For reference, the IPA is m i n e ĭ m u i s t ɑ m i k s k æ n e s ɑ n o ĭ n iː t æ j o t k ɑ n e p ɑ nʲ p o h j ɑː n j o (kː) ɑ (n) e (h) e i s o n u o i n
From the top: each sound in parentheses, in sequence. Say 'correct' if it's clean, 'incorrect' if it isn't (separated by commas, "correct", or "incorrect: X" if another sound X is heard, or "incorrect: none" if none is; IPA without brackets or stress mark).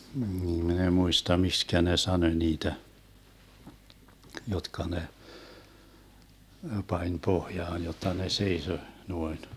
incorrect: tː, correct, incorrect: s